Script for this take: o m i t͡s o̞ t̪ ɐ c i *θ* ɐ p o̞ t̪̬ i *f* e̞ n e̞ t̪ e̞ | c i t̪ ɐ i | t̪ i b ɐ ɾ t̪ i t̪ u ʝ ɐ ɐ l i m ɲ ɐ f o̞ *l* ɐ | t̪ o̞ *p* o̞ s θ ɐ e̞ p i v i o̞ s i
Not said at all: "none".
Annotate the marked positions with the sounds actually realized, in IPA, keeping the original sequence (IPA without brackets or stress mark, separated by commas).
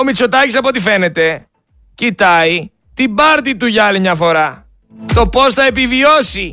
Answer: s, f, ɾ, p